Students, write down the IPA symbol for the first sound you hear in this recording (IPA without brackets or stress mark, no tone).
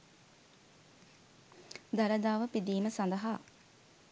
d̪